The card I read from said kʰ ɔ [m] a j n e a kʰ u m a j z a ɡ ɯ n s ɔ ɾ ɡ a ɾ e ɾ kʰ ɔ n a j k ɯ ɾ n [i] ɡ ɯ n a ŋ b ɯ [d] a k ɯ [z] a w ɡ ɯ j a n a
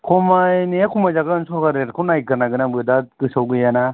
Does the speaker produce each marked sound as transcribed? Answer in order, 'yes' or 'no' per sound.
yes, no, yes, no

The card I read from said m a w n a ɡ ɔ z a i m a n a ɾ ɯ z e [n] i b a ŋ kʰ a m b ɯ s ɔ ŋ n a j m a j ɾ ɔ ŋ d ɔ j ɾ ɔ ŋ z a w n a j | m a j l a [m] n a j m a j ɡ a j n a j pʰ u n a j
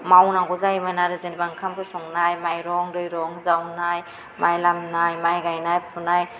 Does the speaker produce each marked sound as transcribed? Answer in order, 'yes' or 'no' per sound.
yes, yes

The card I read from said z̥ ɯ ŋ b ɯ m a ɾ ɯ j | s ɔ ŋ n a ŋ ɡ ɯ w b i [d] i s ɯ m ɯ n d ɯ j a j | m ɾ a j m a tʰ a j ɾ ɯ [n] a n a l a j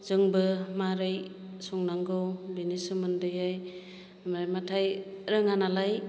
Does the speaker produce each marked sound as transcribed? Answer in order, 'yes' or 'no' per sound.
no, no

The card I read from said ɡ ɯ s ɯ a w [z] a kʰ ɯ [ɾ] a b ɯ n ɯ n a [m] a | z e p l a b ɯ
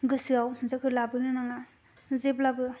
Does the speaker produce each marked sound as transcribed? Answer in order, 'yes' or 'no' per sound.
yes, no, no

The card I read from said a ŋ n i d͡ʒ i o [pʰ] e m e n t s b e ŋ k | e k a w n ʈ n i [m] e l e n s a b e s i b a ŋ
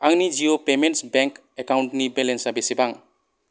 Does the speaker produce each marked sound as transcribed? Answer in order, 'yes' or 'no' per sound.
no, no

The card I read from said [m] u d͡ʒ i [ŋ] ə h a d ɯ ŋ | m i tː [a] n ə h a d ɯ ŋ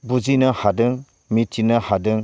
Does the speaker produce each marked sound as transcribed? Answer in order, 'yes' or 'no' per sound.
no, no, no

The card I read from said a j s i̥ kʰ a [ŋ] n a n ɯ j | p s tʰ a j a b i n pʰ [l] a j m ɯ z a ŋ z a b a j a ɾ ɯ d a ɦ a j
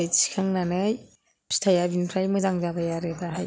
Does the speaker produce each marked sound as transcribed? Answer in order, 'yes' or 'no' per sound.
yes, no

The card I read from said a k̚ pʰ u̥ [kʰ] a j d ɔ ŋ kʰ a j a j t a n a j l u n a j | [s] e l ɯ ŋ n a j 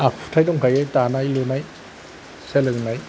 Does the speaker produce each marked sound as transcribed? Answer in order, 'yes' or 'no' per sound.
no, yes

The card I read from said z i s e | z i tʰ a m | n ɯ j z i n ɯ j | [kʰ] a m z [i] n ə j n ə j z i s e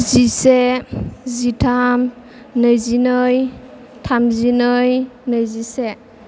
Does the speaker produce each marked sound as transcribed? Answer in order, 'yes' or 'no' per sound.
no, yes

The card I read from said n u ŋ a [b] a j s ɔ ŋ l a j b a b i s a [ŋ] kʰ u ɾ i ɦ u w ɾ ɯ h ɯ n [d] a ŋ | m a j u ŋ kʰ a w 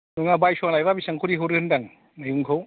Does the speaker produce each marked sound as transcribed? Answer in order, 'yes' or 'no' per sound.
yes, yes, yes

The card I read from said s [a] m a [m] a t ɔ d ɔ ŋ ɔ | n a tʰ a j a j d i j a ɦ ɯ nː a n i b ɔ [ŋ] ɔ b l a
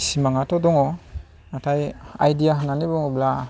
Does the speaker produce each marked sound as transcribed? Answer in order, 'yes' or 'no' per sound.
no, no, yes

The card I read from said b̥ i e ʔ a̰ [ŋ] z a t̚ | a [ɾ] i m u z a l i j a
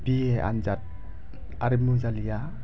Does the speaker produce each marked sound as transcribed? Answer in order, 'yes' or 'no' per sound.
no, yes

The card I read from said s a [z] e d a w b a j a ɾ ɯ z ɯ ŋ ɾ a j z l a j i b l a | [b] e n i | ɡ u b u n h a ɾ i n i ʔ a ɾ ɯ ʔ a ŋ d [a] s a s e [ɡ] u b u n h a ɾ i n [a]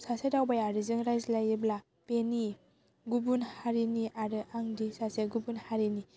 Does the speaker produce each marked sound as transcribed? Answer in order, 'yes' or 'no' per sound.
no, no, no, yes, no

